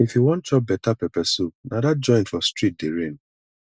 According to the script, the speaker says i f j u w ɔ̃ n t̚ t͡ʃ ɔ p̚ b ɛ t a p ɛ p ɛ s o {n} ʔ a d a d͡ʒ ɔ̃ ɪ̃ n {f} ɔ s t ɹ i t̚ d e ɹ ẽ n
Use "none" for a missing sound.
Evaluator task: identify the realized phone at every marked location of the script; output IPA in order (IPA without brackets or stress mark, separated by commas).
n, f